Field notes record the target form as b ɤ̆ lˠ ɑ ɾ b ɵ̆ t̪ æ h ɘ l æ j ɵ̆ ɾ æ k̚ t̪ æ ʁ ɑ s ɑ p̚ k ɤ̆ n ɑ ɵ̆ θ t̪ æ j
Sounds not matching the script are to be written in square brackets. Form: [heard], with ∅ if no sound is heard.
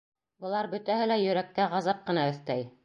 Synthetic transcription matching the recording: b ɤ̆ lˠ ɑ ɾ b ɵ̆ t̪ æ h ɘ l æ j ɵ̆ ɾ æ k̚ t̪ æ ʁ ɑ [z] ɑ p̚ [q] ɤ̆ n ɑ ɵ̆ θ t̪ æ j